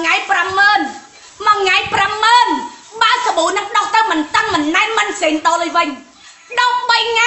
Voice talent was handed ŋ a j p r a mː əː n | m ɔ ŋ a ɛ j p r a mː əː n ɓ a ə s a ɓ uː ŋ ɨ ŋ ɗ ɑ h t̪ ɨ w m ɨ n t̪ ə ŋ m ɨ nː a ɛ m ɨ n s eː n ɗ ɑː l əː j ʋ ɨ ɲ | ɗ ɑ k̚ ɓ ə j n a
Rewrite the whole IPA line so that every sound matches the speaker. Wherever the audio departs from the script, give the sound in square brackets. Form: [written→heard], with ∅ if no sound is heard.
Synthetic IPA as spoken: ŋ a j p r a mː əː n | m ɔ ŋ a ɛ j p r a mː əː n ɓ a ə s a ɓ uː [ŋ→n] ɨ ŋ ɗ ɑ h t̪ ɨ w m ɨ n t̪ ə ŋ m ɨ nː a ɛ m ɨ n s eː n ɗ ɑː l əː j ʋ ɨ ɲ | ɗ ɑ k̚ ɓ ə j [n→ŋ] a